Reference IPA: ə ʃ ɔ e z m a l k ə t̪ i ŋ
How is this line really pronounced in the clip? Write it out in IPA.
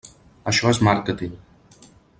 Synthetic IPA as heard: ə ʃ ɔ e z m a ɾ k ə t̪ i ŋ